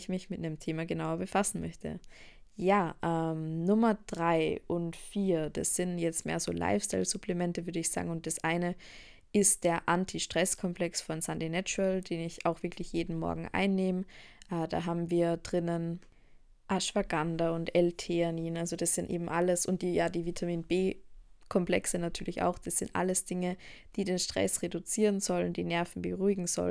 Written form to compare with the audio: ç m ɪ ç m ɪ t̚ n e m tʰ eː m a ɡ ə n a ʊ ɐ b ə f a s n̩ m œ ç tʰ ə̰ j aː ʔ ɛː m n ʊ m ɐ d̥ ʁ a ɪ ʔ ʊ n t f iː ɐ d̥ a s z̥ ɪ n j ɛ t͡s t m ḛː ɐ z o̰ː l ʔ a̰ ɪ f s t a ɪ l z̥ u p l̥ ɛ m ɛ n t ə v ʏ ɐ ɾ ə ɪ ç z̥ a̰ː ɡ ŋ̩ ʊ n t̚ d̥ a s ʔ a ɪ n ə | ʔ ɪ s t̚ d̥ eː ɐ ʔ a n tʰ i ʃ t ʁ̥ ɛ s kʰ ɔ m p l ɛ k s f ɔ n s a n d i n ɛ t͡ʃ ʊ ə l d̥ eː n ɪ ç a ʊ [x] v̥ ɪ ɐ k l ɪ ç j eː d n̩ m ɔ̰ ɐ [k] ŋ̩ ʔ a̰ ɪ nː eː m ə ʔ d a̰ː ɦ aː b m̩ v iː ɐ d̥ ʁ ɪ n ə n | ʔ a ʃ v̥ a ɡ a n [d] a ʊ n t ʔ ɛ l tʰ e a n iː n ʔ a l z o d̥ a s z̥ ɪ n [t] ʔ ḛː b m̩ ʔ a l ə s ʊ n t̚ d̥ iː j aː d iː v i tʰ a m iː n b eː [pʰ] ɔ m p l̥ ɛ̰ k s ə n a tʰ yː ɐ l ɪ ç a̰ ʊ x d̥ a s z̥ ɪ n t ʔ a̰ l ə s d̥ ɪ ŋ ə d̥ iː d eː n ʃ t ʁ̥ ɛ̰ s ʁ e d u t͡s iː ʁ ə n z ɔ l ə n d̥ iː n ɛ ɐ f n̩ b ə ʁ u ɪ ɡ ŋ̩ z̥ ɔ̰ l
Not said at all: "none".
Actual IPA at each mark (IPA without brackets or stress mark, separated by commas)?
x, ɡ, d, t, kʰ